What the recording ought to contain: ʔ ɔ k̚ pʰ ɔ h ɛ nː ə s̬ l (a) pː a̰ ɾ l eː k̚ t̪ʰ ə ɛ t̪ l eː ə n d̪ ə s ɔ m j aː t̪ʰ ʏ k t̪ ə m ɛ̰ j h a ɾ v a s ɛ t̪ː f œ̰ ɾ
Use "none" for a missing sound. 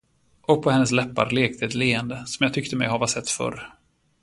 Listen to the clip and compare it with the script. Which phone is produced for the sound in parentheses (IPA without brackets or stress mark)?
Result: ɛ